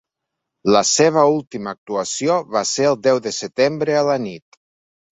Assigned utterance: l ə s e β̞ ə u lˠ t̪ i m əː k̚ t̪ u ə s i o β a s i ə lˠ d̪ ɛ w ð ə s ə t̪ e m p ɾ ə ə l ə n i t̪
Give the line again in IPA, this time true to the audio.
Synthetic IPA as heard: l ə s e β̞ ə u lˠ t̪ i m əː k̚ t̪ u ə s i o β a s e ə lˠ d̪ ɛ w ð ə s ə t̪ e m b ɾ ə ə l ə n i t̪

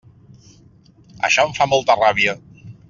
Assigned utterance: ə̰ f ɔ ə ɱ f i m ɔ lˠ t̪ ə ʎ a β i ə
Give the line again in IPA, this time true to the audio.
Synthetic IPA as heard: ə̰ ʃ ɔ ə ɱ f a m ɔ lˠ t̪ ə r a β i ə

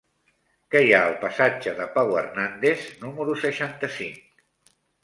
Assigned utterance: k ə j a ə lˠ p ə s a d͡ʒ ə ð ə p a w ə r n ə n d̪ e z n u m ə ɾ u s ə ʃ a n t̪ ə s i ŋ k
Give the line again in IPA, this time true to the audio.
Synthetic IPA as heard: k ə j a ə lˠ p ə s a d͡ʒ ə ð ə p a w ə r n a n d̪ e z n u m ə ɾ u s ə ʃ a n t̪ ə s i ŋ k

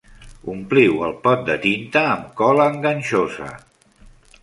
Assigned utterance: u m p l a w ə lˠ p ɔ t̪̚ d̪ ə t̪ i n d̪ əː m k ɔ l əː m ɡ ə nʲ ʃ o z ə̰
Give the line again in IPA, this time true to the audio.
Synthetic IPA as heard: u m p l i w ə lˠ p ɔ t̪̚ d̪ ə t̪ i n t̪ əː m k ɔ l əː ŋ ɡ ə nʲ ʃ o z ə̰

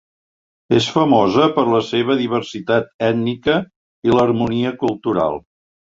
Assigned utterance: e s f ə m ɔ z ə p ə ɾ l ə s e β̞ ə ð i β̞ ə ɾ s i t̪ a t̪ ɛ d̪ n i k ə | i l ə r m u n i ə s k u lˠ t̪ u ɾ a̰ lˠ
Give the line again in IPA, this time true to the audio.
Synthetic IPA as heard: e s f ə m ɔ z ə p ə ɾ l ə s e β̞ ə ð i β̞ ə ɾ s i t̪ a t̪ ɛ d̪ n i k ə | i l ə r m u n i ə k u lˠ t̪ u ɾ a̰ lˠ

